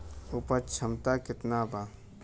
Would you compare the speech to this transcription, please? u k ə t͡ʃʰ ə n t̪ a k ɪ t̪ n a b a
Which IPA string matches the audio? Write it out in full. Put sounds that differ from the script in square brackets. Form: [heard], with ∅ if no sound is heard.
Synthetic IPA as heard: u [p] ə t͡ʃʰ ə [m] t̪ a k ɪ t̪ n a b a